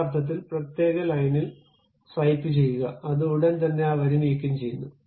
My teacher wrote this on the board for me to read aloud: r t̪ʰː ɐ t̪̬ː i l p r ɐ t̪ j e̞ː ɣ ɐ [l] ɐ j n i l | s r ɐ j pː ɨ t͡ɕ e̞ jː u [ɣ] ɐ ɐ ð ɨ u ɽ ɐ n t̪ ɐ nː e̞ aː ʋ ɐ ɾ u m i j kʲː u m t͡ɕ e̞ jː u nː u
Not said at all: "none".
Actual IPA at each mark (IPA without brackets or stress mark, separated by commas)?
l, ɣ